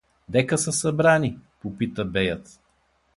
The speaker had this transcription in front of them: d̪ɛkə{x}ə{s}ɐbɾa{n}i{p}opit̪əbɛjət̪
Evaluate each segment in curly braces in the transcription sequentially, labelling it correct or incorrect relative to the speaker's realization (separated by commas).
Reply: incorrect, correct, correct, correct